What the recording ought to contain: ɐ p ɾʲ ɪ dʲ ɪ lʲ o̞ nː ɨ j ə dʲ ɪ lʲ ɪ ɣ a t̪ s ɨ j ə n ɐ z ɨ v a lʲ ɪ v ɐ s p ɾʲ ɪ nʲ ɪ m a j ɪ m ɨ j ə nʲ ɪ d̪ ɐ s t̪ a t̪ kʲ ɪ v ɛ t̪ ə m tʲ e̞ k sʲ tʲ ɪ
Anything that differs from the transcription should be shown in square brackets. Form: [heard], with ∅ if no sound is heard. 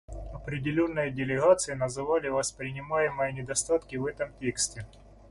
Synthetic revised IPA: ɐ p ɾʲ ɪ dʲ ɪ lʲ o̞ nː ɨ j ə dʲ ɪ lʲ ɪ ɣ a t̪ s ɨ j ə n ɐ z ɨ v a lʲ ɪ v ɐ s p ɾʲ ɪ nʲ ɪ m a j ɪ m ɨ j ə nʲ ɪ d̪ ɐ s t̪ a t̪ kʲ ɪ v ɛ t̪ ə m tʲ e̞ k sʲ tʲ ɪ